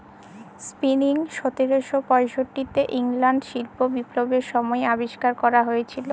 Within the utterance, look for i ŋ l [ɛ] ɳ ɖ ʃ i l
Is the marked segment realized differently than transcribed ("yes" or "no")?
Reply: yes